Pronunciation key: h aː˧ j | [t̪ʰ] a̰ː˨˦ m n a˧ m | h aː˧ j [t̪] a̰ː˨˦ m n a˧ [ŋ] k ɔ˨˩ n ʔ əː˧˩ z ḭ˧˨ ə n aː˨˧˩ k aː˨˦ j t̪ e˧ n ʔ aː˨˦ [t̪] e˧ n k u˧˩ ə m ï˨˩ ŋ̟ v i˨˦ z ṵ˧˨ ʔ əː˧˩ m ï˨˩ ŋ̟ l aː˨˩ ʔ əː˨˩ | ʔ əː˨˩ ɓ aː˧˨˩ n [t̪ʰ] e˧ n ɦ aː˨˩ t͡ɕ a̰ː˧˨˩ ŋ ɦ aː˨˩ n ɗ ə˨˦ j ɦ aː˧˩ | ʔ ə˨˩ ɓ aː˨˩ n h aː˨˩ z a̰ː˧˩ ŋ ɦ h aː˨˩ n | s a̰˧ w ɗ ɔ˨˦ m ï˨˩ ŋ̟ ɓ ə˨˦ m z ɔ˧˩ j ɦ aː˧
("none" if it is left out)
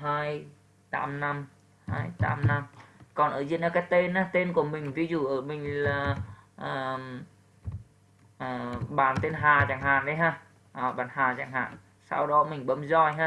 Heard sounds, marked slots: t̪, t̪, m, t̪, t̪

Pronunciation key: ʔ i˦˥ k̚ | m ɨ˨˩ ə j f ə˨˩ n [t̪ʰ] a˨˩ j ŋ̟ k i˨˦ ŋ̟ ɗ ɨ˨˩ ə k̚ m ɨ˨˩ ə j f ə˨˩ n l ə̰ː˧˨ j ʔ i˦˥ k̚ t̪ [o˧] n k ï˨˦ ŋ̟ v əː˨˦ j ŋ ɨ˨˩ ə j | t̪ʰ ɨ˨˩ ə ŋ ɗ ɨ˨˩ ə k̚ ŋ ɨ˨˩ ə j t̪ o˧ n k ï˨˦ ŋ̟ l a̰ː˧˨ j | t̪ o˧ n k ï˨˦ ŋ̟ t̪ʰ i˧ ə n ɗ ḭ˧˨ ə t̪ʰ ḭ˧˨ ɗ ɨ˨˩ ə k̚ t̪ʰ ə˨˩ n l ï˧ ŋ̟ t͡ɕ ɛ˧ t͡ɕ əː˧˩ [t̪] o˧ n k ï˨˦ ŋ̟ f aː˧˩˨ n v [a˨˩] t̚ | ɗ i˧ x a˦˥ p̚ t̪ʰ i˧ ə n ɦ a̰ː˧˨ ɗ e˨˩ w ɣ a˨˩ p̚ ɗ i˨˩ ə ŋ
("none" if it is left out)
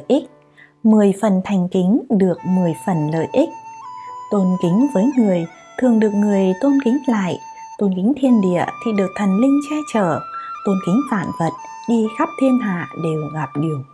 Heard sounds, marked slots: t̪ʰ, o˧, t̪, ə˨˩

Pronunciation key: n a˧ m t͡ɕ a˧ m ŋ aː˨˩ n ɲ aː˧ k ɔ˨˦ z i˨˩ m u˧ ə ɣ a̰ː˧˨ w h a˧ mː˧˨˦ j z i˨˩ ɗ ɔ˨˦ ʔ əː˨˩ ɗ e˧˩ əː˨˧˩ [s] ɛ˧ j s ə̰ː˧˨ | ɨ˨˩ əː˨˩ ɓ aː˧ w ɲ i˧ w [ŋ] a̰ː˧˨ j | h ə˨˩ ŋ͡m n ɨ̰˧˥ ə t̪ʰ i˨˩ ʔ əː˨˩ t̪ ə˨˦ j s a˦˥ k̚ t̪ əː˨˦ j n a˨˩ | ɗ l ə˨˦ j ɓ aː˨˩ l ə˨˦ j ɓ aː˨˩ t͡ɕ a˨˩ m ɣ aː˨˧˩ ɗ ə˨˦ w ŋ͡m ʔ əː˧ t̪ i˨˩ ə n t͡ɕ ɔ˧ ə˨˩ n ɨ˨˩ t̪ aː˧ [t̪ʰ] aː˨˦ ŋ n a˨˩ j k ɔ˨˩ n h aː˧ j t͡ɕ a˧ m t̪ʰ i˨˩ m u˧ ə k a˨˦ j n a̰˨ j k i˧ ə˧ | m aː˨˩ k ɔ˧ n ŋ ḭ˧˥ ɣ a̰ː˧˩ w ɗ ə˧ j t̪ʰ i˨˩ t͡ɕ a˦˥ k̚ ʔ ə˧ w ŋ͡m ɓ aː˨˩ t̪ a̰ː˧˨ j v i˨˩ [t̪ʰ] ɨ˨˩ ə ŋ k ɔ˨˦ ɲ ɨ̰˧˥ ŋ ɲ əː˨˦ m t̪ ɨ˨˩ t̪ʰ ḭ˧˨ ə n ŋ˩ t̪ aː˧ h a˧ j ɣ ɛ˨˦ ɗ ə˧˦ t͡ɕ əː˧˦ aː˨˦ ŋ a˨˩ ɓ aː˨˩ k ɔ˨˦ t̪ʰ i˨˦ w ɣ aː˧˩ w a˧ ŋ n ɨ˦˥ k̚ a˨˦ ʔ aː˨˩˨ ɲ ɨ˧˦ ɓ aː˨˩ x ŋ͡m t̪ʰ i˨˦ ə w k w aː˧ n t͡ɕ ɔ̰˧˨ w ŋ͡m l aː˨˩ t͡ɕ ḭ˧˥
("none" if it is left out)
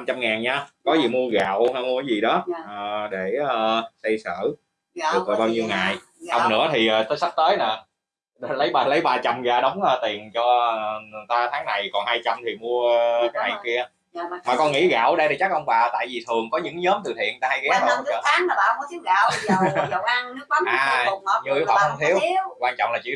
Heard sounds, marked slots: s, ŋ, t̪ʰ, t̪ʰ

